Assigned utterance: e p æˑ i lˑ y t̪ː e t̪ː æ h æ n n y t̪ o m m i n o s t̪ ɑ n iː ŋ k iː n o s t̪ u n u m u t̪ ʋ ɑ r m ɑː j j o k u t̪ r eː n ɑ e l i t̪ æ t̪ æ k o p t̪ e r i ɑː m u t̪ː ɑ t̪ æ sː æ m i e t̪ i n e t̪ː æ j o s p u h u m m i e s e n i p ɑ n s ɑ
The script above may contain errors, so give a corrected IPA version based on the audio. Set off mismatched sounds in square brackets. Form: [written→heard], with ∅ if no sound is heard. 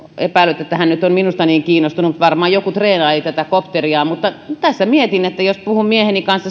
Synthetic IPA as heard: e p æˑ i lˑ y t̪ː e t̪ː æ h æ n n y t̪ o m m i n [o→u] s t̪ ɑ n iː ŋ k iː n o s t̪ u n u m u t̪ ʋ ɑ r m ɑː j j o k u t̪ r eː n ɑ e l i t̪ æ t̪ æ k o p t̪ e r i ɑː m u t̪ː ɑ t̪ æ sː æ m i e t̪ i n e t̪ː æ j o s p u h u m m i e [s→h] e n i [p→k] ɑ n s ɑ